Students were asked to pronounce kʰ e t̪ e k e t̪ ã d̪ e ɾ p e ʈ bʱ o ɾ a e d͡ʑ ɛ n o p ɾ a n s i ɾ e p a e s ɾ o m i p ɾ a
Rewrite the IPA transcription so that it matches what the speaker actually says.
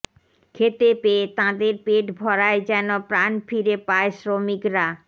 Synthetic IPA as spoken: kʰ e t̪ e p e t̪ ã d̪ e ɾ p e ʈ bʱ ɔ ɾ a e d͡ʑ ɛ n o p ɾ a n f i ɾ e p a e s ɾ o m i k ɾ a

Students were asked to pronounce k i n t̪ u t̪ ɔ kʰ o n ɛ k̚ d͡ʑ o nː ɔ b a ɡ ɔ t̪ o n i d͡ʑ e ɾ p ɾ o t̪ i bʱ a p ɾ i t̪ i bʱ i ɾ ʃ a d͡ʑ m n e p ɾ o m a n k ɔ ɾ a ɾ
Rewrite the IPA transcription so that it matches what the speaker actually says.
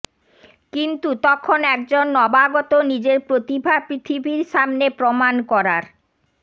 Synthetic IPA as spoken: k i n t̪ u t̪ ɔ kʰ o n ɛ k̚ d͡ʑ o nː ɔ b a ɡ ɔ t̪ o n i d͡ʑ e ɾ p ɾ o t̪ i bʱ a p ɾ i t̪ʰ i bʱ i ɾ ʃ a m n e p ɾ o m a n k ɔ ɾ a ɾ

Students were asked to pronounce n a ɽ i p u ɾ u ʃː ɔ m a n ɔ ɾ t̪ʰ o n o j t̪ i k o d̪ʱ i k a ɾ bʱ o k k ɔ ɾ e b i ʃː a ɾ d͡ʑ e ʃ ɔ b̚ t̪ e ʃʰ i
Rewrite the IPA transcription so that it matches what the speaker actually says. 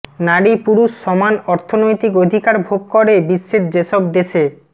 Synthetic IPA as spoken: n a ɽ i p u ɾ u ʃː ɔ m a n ɔ ɾ t̪ʰ o n o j t̪ i k o d̪ʱ i k a ɾ bʱ o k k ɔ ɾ e b i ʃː e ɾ d͡ʑ e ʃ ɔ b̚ d̪ e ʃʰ e

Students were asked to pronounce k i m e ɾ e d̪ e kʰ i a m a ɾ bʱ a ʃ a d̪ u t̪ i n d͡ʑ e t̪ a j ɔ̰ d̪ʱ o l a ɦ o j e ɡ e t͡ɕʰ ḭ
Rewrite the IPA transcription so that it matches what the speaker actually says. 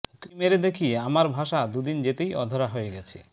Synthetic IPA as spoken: k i m e ɾ e d̪ e kʰ i a m a ɾ bʱ a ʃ a d̪ u d̪ i n d͡ʑ e t̪ e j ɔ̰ d̪ʱ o ɾ a ɦ o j e ɡ ɛ t͡ɕʰ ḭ

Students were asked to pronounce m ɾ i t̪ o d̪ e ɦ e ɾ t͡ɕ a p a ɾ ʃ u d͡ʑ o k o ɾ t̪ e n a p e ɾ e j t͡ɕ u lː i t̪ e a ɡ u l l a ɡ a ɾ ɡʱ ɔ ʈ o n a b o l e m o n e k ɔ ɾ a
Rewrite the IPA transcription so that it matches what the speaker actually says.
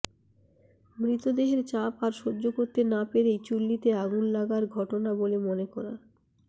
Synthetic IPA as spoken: m ɾ i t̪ o d̪ e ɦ e ɾ t͡ɕ a p a ɾ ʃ o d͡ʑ o k o ɾ t̪ e n a p e ɾ e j t͡ɕ u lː i t̪ e a ɡ u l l a ɡ a ɾ ɡʱ ɔ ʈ o n a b o l e m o n e k ɔ ɾ a

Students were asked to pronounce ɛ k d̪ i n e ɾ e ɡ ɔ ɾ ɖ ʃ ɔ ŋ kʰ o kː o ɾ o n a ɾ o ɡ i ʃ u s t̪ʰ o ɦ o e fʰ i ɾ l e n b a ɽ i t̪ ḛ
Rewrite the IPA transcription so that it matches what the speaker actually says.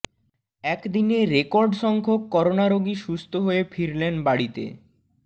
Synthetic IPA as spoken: ɛ k d̪ i n e ɾ e k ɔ ɾ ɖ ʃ ɔ ŋ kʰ o kː ɔ ɾ o n a ɾ o ɡ i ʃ u s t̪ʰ o ɦ o e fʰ i ɾ l e n b a ɽ i t̪ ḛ

